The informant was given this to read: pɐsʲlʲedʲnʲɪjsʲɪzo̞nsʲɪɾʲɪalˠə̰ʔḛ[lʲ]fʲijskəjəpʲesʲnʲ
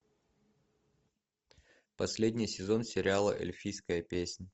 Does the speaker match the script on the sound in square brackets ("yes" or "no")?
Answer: yes